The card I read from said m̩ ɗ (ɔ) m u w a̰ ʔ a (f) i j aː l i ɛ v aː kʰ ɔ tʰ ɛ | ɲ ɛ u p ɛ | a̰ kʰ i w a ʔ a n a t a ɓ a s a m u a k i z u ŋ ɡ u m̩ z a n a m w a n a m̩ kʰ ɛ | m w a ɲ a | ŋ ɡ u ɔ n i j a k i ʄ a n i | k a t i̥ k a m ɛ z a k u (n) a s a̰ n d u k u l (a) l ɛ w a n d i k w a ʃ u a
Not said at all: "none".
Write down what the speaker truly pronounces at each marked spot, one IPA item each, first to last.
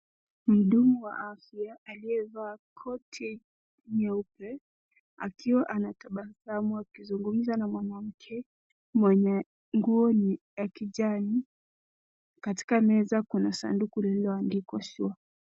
u, f, n, ɛ

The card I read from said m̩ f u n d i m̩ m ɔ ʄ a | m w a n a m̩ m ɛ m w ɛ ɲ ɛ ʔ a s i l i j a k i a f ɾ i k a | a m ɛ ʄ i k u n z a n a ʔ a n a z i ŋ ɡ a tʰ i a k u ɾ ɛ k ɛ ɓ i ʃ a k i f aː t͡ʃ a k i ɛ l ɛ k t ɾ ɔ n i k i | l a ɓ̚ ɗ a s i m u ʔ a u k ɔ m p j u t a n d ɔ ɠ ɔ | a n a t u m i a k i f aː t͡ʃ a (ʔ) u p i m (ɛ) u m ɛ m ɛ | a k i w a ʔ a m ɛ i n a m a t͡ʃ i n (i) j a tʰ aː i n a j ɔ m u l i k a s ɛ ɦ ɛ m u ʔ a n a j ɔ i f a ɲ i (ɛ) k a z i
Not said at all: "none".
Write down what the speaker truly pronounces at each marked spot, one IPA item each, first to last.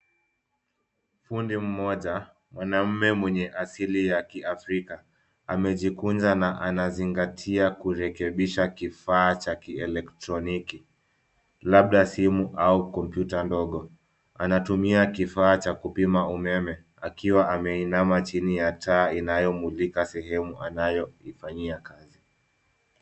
k, a, i, a

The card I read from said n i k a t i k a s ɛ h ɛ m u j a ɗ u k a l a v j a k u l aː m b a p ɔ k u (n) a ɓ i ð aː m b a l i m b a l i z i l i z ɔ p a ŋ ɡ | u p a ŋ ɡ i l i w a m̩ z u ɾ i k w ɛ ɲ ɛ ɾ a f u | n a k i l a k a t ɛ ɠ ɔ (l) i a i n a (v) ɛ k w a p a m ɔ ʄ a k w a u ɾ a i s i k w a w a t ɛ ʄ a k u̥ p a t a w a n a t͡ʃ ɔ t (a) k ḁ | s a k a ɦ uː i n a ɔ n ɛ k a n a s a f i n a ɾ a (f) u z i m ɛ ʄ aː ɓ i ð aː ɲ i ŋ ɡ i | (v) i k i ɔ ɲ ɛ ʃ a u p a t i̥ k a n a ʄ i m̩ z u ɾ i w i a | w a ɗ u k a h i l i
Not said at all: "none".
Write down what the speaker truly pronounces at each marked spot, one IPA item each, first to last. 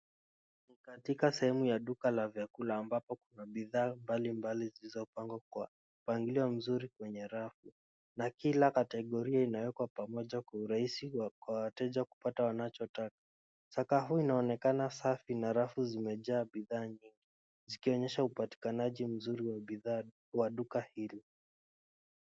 n, ɾ, w, a, f, z

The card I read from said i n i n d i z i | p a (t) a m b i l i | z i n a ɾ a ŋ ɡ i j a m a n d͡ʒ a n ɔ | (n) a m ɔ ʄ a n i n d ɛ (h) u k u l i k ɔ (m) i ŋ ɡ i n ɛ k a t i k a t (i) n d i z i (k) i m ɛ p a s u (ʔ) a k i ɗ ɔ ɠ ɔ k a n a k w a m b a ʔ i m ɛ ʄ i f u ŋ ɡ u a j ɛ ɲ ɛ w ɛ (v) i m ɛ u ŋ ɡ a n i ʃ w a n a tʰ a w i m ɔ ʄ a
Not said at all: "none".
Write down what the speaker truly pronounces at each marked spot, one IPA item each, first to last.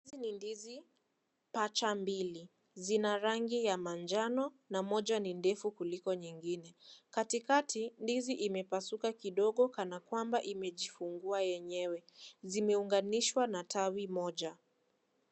t͡ʃ, n, f, ɲ, i, ʔ, k, z

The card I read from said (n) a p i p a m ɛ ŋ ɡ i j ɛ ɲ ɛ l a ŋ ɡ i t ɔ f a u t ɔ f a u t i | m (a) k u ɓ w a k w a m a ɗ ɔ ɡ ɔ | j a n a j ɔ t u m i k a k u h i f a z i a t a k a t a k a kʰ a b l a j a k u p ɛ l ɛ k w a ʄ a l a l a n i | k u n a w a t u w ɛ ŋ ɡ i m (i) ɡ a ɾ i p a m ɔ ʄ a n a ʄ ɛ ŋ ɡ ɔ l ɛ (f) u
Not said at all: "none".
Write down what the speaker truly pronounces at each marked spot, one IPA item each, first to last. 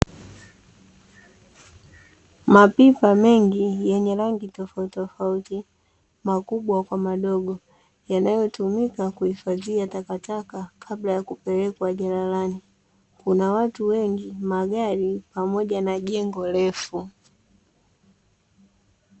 m, a, a, f

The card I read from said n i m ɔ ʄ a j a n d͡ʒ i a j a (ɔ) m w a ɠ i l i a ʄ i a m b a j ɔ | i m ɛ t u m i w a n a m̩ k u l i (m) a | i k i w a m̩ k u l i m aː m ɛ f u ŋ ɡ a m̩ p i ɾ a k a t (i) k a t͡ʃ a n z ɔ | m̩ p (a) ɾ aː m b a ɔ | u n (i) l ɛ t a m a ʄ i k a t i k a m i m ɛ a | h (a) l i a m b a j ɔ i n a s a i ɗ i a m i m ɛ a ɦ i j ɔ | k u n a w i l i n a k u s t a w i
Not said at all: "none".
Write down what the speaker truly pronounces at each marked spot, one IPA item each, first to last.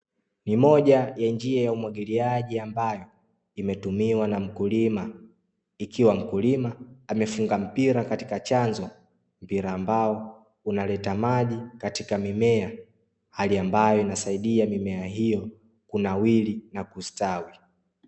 u, m, i, i, a, a

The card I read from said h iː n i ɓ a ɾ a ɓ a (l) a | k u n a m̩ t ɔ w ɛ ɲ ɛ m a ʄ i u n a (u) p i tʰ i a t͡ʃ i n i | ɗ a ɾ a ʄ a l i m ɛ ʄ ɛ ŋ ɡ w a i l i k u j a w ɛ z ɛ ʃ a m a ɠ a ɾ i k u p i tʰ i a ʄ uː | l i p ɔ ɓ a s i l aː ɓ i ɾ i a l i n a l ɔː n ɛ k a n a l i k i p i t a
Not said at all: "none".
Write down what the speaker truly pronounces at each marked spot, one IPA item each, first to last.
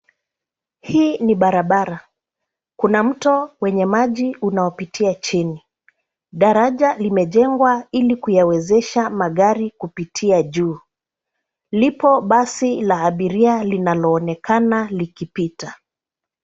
ɾ, ɔ

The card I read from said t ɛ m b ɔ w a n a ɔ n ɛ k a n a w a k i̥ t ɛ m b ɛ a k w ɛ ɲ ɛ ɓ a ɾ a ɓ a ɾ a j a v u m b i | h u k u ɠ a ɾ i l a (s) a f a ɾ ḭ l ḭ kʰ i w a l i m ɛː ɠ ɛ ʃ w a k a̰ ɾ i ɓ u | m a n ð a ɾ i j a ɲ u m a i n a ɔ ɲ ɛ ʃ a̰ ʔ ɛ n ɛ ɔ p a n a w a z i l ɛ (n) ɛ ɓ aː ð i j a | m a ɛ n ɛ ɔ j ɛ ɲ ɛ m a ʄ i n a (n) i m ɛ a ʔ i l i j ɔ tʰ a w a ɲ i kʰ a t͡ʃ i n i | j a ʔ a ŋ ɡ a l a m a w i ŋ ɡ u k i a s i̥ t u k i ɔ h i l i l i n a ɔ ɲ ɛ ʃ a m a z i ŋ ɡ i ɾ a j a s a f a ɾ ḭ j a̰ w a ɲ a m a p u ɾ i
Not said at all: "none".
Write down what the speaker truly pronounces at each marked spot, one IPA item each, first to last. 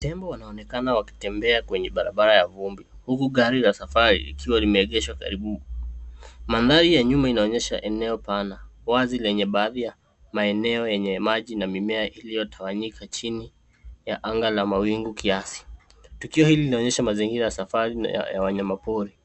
s, ɲ, m

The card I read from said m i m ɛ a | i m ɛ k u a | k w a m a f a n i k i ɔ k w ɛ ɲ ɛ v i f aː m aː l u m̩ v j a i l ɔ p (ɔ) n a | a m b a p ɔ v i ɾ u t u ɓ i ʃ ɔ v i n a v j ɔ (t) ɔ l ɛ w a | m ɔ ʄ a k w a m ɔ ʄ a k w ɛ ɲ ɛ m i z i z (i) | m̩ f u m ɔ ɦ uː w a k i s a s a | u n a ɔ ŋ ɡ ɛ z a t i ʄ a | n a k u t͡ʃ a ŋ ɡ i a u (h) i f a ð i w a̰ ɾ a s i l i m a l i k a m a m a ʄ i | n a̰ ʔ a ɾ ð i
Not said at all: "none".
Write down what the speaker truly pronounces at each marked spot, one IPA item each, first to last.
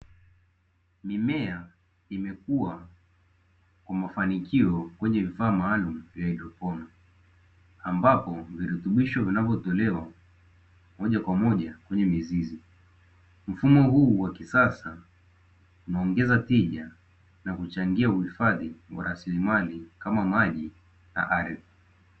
ɔ, t, i, h

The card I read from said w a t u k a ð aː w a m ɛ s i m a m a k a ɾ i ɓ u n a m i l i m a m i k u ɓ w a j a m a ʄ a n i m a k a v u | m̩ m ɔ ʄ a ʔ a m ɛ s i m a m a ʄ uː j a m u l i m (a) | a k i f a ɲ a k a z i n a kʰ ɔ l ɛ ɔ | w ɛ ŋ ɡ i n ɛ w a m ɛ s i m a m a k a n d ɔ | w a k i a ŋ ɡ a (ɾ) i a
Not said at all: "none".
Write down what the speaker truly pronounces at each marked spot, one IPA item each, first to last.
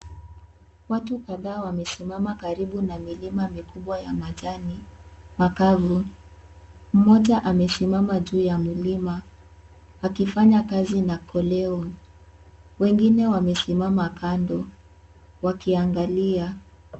a, l

